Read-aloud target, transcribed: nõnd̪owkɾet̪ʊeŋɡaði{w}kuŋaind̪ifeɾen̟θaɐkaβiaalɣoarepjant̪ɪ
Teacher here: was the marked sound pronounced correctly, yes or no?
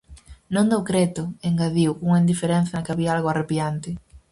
yes